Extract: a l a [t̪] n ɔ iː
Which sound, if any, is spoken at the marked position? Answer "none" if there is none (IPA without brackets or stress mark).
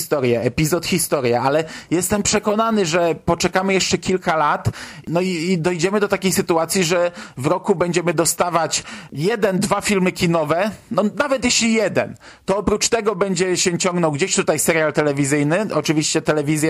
t̪